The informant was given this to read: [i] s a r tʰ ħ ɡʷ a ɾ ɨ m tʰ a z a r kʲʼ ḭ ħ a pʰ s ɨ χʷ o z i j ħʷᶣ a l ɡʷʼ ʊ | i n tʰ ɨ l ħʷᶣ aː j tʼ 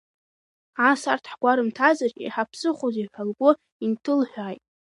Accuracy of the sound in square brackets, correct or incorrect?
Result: incorrect